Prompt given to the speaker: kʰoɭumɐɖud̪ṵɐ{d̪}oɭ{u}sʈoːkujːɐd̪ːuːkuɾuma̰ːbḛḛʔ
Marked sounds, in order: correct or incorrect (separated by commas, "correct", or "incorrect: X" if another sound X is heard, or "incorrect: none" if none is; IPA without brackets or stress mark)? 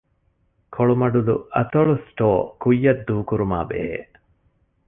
incorrect: t̪, correct